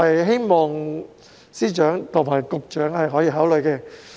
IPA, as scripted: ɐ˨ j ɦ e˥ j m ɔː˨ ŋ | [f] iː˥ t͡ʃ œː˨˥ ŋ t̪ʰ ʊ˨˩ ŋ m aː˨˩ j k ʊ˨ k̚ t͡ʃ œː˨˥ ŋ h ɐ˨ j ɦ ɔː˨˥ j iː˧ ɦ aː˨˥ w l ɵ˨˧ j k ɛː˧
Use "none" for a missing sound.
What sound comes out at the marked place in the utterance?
s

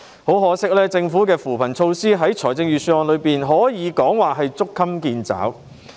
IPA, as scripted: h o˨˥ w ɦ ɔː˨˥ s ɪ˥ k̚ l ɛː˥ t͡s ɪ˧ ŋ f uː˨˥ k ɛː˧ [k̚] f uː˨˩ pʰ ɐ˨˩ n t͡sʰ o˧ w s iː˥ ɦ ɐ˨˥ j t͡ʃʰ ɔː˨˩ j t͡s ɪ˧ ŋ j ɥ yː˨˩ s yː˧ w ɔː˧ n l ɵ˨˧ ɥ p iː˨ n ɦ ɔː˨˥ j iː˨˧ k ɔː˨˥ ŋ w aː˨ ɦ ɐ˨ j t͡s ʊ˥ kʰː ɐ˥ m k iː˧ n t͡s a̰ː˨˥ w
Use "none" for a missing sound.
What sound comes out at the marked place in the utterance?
none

